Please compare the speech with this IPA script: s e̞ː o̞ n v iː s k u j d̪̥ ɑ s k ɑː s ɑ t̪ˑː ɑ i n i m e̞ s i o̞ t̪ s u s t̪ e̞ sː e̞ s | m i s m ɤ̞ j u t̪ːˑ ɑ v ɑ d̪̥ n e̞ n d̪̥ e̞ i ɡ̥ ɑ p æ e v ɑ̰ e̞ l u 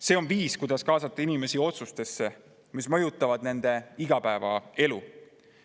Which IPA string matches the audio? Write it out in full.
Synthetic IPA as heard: s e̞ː o̞ n v iː s k u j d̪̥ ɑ s k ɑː s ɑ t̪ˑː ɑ i n i m e̞ s i o̞ t̪ s u s t̪ e̞ sː e̞ | m i s m ɤ̞ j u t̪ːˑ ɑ v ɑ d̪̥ n e̞ n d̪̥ e̞ i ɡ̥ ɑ p æ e v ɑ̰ e̞ l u